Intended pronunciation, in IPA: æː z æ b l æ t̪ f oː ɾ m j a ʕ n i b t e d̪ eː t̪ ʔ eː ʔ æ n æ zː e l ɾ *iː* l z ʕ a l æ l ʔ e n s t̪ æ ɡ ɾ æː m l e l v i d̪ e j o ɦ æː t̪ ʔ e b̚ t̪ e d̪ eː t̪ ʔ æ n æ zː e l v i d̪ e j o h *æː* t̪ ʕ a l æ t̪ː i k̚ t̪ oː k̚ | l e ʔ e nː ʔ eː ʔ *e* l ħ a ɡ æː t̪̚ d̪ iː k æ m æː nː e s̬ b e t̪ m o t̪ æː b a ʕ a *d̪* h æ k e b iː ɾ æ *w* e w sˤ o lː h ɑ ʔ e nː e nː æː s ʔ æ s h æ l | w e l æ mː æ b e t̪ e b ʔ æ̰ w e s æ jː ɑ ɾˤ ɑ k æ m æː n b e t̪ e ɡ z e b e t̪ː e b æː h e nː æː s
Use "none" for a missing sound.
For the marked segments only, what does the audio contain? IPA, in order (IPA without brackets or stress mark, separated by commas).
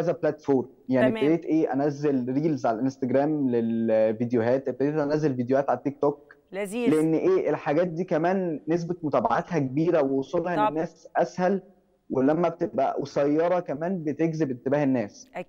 iː, æː, e, t̪, w